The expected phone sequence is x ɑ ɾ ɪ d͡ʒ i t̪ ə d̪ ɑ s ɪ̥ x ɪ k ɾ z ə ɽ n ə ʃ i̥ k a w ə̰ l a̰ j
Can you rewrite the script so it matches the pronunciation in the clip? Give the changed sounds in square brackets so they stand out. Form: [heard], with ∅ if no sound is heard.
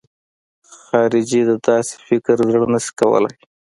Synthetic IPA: x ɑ ɾ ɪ d͡ʒ i [d̪] ə d̪ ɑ s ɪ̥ [f] ɪ k ɾ z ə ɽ n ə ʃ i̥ k a w ə̰ l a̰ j

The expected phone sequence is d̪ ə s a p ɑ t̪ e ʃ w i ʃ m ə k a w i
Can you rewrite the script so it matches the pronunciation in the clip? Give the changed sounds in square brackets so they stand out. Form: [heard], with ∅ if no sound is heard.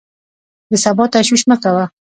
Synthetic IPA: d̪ ə s a [b] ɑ t̪ [a] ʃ w i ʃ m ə k a w [a]

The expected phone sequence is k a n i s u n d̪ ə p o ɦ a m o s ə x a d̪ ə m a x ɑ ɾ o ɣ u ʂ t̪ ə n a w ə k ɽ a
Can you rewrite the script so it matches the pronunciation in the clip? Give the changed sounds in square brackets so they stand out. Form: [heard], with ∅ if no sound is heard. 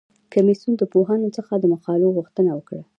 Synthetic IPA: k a [m] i s u n d̪ ə p o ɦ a [n] o [t͡s] ə x a d̪ ə m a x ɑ [l] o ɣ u [x] t̪ ə n a w ə k ɽ a

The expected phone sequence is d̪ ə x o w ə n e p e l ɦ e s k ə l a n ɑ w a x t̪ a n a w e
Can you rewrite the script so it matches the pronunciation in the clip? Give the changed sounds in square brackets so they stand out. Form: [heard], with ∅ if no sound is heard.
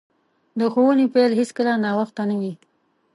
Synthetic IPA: d̪ ə x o w ə n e p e l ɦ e s k ə l a n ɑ w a x t̪ a n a w [i]

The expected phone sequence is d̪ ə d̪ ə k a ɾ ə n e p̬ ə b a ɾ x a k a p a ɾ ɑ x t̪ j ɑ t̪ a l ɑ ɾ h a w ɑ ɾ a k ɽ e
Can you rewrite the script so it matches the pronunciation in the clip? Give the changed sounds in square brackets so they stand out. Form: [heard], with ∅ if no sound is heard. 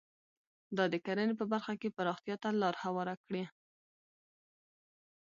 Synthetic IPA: d̪ [ɑ] d̪ ə k a ɾ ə n e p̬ ə b a ɾ x a k [e] p a ɾ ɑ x t̪ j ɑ t̪ a l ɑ ɾ h a w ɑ ɾ a k ɽ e

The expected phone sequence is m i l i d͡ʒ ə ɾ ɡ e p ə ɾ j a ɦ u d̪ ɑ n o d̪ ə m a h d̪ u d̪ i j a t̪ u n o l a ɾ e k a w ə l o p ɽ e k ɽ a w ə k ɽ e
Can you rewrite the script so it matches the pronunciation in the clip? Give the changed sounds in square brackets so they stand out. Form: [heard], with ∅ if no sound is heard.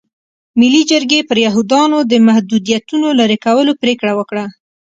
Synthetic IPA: m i l i d͡ʒ ə ɾ ɡ e p ə ɾ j a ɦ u d̪ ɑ n o d̪ ə m a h d̪ u d̪ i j a t̪ u n o l a ɾ e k a w ə l o p [ɾ] e k ɽ a w ə k ɽ [a]

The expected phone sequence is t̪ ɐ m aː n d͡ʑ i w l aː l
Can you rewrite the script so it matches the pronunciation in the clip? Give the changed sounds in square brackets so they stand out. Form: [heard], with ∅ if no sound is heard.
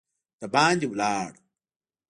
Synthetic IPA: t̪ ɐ [b] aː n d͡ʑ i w l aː [ɽ]

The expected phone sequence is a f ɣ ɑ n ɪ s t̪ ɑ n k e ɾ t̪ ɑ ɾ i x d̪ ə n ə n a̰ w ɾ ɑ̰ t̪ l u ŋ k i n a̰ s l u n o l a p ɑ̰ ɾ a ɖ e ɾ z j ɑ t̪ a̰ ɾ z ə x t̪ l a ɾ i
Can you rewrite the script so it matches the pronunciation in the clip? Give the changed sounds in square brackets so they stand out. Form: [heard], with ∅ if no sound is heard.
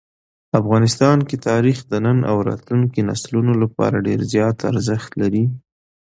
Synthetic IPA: a f ɣ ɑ n ɪ s t̪ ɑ n k e [∅] t̪ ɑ ɾ i x d̪ ə n ə n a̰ w ɾ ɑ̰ t̪ l u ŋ k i n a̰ s l u n o l a p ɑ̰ ɾ a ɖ e ɾ z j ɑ t̪ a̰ ɾ z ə x t̪ l a ɾ i

